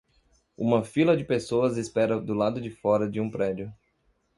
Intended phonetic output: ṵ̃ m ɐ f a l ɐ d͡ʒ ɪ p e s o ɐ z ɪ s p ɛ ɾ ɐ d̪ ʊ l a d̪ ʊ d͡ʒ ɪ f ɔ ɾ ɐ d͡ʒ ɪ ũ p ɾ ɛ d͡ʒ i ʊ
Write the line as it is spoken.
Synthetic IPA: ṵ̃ m ɐ f i l ɐ d͡ʒ ɪ p e s o ɐ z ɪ s p ɛ ɾ ɐ d̪ ʊ l a d̪ ʊ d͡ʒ ɪ f ɔ ɾ ɐ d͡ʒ ɪ ũ p ɾ ɛ d͡ʒ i ʊ